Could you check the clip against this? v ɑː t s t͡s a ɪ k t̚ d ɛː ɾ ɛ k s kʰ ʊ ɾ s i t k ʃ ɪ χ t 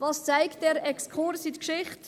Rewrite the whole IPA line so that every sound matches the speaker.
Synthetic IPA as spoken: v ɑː s t͡s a ɪ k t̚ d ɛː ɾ ɛ k s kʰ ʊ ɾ s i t k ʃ ɪ χ t